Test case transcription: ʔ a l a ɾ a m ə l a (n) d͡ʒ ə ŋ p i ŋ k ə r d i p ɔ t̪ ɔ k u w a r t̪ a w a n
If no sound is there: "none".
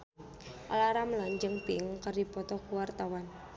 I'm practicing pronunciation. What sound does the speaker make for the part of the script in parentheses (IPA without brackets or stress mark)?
ɲ